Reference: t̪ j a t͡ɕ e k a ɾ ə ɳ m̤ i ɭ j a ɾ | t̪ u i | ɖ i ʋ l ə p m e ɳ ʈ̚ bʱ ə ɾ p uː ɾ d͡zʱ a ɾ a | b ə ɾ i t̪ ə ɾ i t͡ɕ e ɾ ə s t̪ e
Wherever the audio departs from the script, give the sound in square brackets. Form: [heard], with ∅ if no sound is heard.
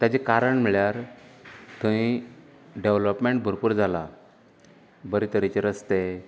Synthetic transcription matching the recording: t̪ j a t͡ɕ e k a ɾ ə ɳ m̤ i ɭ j a ɾ | t̪ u i | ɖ [e] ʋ l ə p m e ɳ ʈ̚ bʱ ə ɾ p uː ɾ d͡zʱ a [l] a | b ə ɾ i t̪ ə ɾ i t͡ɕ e ɾ ə s t̪ e